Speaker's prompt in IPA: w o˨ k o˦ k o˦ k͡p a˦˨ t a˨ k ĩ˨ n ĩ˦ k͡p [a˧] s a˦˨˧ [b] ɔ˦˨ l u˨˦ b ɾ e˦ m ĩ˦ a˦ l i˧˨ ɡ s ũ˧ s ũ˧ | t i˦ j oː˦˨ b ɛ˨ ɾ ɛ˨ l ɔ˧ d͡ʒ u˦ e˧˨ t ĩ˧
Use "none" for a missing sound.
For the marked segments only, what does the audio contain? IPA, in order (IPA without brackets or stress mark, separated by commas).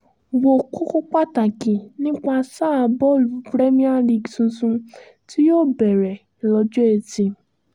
a˧, b